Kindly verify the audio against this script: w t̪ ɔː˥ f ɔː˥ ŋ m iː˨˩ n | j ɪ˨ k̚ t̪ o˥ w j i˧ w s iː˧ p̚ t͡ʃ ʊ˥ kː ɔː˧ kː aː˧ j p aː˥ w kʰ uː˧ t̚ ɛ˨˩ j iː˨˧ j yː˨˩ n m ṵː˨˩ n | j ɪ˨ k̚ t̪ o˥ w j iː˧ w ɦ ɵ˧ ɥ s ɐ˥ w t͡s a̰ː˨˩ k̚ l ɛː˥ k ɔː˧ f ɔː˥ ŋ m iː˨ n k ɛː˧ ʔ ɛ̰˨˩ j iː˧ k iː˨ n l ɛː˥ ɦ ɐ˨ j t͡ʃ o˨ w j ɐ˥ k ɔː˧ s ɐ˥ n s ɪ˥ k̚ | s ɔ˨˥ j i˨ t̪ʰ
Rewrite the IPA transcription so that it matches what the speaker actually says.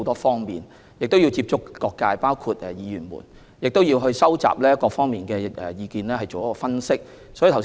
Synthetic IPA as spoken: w t̪ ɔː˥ f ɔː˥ ŋ m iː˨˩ n | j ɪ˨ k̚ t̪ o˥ w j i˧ w t͡s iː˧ p̚ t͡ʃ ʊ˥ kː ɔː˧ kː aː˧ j p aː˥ w kʰ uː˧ t̚ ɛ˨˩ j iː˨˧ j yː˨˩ n m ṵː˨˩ n | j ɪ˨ k̚ t̪ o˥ w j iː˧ w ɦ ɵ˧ ɥ s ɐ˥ w t͡s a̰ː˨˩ p̚ l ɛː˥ k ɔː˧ f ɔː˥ ŋ m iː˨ n k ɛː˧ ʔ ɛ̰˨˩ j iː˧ k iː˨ n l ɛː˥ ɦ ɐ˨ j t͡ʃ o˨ w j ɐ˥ k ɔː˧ f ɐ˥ n s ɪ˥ k̚ | s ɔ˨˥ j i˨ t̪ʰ

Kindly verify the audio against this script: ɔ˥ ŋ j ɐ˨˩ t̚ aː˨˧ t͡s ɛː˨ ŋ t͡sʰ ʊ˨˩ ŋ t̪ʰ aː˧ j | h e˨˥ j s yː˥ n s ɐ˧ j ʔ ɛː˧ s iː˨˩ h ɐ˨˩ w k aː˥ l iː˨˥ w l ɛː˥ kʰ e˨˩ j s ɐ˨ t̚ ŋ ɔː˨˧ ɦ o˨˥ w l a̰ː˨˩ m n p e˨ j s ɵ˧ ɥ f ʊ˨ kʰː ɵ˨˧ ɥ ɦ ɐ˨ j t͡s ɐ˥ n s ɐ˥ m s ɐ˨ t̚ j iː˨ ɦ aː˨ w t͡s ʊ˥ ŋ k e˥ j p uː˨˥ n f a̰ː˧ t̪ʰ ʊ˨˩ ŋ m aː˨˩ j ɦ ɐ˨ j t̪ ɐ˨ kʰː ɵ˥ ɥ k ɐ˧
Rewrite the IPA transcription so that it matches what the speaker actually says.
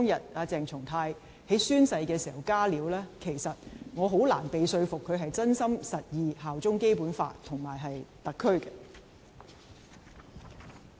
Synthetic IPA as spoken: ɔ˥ ŋ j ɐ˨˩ t̚ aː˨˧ t͡s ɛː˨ ŋ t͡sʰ ʊ˨˩ ŋ t̪ʰ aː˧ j | h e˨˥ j s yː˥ n s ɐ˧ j k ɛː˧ s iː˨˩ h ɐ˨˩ w k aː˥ l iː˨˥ w l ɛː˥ kʰ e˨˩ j s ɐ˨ t̚ ŋ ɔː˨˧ ɦ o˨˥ w l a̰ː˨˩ n p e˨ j s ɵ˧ ɥ f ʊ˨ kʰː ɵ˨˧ ɥ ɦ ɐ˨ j t͡s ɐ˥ n s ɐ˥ m s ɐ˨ t̚ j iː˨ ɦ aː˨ w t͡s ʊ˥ ŋ k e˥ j p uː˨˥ n f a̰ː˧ t̪ʰ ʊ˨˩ ŋ m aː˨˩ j ɦ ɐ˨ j t̪ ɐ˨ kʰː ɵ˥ ɥ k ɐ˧

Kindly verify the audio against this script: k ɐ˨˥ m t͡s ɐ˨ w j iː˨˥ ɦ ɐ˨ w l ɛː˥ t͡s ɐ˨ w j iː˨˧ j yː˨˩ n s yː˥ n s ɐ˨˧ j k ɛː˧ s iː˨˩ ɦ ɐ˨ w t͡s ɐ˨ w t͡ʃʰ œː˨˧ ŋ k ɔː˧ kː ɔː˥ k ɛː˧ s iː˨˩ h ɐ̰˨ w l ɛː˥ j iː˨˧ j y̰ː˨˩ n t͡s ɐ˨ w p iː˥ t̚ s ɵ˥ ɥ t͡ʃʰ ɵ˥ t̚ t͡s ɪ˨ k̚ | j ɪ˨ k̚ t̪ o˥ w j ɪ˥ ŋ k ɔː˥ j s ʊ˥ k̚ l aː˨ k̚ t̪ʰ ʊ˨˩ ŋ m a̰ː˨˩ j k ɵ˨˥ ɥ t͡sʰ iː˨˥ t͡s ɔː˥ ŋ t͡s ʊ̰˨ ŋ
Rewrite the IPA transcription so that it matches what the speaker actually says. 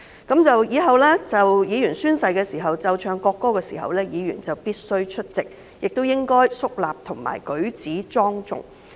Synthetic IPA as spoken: k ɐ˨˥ m t͡s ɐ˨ w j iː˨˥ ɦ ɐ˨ w l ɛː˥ t͡s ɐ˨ w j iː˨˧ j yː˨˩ n s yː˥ n s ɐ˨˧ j k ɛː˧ s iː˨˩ ɦ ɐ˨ w t͡s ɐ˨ w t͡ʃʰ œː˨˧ ŋ k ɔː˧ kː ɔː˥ k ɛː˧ s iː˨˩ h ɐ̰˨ w l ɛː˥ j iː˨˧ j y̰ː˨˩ n t͡s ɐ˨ w p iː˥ t̚ s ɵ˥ ɥ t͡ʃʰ ɵ˥ t̚ t͡s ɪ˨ k̚ | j ɪ˨ k̚ t̪ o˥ w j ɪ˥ ŋ k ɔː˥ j s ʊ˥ k̚ l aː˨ p̚ t̪ʰ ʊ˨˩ ŋ m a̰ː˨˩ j k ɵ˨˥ ɥ t͡s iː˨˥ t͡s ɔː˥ ŋ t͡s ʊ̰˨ ŋ

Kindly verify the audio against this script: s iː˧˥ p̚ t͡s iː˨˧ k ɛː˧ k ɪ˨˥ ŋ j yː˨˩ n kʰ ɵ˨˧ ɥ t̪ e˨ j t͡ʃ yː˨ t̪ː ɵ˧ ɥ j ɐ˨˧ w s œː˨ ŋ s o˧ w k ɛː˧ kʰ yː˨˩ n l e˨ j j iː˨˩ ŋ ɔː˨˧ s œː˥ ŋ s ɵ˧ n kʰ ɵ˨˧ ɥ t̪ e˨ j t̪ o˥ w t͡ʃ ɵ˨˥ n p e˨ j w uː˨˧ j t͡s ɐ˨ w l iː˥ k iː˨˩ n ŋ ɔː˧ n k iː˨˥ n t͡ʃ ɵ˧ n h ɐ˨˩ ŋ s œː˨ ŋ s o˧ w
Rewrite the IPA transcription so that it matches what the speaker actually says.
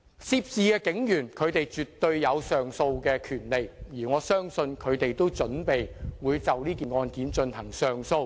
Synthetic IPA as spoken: s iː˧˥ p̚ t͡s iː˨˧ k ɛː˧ k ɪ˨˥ ŋ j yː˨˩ n kʰ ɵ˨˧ ɥ t̪ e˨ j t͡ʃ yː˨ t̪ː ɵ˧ ɥ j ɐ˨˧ w s œː˨ ŋ s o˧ w k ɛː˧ kʰ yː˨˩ n l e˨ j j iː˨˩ ŋ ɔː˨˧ s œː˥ ŋ s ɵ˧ n kʰ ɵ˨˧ ɥ t̪ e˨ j t̪ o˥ w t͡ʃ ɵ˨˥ n p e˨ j w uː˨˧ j t͡s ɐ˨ w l iː˥ k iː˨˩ n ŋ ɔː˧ n k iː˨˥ n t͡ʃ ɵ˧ n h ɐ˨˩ ŋ s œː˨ ŋ s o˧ w

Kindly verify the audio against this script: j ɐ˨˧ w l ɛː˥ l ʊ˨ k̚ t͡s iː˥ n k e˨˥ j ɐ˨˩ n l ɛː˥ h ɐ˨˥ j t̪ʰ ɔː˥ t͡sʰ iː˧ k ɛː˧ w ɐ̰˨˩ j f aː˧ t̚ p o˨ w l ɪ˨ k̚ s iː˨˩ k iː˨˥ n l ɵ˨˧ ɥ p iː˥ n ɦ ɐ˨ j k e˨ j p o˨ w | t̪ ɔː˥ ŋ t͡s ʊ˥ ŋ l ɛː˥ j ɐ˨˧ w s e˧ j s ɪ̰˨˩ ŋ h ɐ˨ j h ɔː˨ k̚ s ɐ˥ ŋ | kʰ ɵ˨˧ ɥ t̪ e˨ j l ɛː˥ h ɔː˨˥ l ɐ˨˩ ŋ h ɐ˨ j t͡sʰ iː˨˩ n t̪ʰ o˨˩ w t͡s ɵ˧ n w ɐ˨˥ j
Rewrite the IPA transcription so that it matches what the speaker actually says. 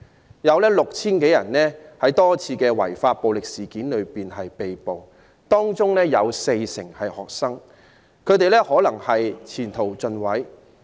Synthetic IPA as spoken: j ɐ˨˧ w l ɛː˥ l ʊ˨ k̚ t͡sʰ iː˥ n k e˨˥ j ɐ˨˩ n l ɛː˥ h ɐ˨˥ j t̪ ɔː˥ t͡sʰ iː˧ k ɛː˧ w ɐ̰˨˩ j f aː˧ t̚ p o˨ w l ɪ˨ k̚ s iː˨˩ k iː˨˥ n l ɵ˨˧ ɥ p iː˨˩ n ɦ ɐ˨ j p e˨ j p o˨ w | t̪ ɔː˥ ŋ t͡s ʊ˥ ŋ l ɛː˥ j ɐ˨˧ w s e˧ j s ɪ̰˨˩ ŋ h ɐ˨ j h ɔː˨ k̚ s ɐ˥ ŋ | kʰ ɵ˨˧ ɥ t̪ e˨ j l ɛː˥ h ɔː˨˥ l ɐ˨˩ ŋ h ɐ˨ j t͡sʰ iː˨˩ n t̪ʰ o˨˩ w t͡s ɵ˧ n w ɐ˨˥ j

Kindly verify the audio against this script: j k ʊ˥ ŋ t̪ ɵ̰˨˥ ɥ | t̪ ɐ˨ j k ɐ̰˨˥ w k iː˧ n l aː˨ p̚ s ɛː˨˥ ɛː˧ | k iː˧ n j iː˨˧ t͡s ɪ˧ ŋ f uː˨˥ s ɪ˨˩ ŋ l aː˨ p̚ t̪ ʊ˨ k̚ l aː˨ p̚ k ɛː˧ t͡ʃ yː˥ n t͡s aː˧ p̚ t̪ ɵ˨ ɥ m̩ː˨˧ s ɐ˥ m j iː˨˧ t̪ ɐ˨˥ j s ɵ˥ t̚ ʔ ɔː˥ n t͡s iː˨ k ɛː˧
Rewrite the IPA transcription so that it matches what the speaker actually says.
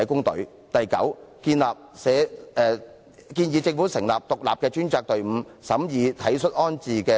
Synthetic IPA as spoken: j k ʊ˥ ŋ t̪ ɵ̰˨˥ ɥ | t̪ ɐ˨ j k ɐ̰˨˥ w k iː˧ n l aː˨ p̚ s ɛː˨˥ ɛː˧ | k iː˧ n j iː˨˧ t͡s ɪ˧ ŋ f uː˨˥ s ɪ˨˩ ŋ l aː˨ p̚ t̪ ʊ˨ k̚ l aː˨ p̚ k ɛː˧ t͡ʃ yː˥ n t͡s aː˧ k̚ t̪ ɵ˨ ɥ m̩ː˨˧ s ɐ˨˥ m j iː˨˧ t̪ʰ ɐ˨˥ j s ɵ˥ t̚ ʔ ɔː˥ n t͡s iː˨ k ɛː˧

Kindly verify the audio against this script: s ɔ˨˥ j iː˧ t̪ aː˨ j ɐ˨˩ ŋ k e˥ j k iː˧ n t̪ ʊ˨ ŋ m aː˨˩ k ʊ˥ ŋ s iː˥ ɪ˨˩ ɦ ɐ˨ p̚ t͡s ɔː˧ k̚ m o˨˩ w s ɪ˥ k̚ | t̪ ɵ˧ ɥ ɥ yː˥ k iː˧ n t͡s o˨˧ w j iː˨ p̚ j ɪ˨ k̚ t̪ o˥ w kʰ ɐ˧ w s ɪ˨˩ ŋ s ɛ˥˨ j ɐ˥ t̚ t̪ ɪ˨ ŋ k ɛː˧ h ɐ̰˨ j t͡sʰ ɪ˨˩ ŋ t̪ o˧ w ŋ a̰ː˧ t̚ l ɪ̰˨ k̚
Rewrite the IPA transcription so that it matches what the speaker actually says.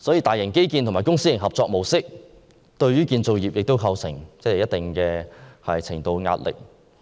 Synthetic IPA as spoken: s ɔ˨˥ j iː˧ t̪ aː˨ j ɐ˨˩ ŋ k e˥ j k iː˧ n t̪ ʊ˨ ŋ m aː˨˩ k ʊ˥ ŋ s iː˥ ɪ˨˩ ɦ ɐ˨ p̚ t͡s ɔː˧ k̚ m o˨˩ w s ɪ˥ k̚ | t̪ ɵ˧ ɥ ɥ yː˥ k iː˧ n t͡s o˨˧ w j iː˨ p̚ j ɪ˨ k̚ t̪ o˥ w kʰ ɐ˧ w s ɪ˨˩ ŋ t͡s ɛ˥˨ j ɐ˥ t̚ t̪ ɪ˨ ŋ k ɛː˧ h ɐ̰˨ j t͡sʰ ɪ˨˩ ŋ t̪ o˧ w ŋ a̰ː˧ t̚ l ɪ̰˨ k̚

